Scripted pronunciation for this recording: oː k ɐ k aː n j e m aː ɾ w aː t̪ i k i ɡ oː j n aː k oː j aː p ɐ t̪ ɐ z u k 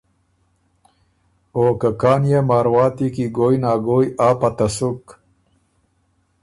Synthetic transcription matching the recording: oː k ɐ k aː n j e m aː ɾ w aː t̪ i k i ɡ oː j n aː ɡ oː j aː p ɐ t̪ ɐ s u k